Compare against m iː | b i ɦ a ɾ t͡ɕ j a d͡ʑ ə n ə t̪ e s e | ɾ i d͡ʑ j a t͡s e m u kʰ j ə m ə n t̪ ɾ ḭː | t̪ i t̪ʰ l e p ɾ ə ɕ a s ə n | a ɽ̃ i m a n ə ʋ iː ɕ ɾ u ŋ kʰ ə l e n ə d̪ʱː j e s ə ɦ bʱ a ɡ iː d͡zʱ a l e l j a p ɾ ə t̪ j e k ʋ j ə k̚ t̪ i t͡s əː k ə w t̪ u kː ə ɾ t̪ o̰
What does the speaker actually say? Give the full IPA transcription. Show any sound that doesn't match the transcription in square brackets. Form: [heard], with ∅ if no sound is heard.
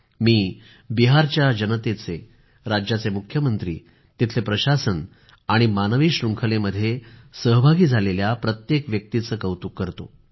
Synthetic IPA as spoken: m iː | b i ɦ a ɾ t͡ɕ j a d͡ʑ ə n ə t̪ e [t͡s] e | ɾ [a] d͡ʑ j a t͡s e m u kʰ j ə m ə n t̪ ɾ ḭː | t̪ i t̪ʰ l e p ɾ ə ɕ a s ə n | a ɽ̃ i m a n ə ʋ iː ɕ ɾ u ŋ kʰ ə l e [m] ə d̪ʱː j e s ə ɦ bʱ a ɡ iː d͡zʱ a l e l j a p ɾ ə t̪ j e k ʋ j ə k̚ t̪ i t͡s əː k ə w t̪ u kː ə ɾ t̪ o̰